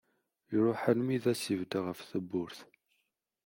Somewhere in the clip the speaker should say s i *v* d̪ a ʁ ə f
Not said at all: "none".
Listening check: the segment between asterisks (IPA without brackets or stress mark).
v